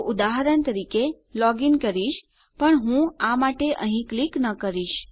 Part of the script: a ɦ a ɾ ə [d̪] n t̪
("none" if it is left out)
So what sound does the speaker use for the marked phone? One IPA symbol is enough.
none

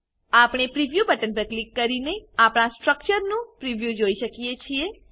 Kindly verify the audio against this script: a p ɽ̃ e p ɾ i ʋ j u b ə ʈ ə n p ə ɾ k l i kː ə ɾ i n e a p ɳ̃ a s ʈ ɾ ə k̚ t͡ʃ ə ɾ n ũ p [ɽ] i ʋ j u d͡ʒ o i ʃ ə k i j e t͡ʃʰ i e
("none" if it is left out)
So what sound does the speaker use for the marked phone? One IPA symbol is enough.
ɾ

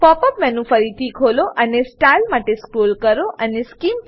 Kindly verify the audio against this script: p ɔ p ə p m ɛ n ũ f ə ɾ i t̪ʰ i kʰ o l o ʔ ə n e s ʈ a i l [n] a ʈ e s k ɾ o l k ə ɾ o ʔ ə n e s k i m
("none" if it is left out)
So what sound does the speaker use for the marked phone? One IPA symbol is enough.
m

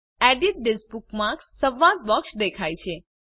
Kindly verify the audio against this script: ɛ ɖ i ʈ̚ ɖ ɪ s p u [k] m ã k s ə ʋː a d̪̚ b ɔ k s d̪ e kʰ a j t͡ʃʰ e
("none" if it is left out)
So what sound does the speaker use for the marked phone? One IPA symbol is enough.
k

